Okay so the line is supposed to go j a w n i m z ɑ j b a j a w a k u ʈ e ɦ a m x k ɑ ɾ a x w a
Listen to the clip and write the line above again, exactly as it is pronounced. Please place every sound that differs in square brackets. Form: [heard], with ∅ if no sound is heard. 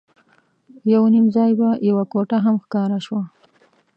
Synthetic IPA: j a w n i m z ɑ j b a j a w a k [o] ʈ [a] ɦ a m x k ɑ ɾ a [ʃ] w a